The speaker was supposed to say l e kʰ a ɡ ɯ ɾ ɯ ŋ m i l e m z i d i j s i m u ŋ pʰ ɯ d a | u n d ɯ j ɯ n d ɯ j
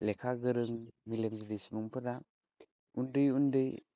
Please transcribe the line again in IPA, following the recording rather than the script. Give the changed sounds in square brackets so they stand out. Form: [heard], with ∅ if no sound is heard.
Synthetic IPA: l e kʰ a ɡ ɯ ɾ ɯ ŋ m i l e m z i d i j s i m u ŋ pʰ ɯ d a | u n d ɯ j [u] n d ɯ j